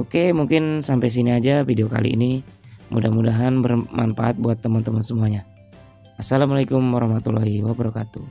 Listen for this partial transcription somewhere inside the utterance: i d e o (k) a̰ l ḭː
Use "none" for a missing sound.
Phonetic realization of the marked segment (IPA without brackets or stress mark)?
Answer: k